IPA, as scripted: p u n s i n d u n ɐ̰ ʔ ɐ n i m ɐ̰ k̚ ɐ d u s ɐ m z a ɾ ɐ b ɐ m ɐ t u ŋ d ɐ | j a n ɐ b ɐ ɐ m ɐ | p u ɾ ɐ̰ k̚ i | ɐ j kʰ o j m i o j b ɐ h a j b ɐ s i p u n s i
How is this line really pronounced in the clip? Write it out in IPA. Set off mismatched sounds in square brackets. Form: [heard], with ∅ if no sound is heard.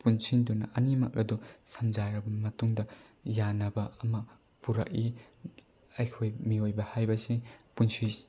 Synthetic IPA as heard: p u n s i n d u n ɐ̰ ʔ ɐ n i m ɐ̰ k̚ ɐ d u s ɐ m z a ɾ ɐ b ɐ m ɐ t u ŋ d ɐ | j a n ɐ b ɐ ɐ m ɐ | p u ɾ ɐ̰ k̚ i | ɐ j kʰ o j m i o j b ɐ h a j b ɐ s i p u n s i